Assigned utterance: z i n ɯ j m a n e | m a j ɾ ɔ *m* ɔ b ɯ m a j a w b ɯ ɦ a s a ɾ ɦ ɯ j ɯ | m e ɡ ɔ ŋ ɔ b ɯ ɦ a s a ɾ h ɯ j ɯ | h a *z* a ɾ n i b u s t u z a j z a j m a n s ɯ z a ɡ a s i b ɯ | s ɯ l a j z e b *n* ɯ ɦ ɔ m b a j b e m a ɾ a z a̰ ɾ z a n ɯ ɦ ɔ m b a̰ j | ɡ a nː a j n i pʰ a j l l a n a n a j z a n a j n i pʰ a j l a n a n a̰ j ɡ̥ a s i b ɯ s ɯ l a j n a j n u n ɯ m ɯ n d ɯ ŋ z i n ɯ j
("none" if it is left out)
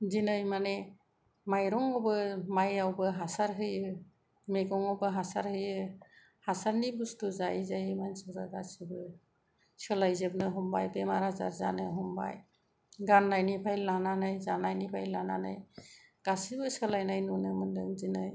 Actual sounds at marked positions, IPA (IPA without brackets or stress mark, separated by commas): ŋ, s, n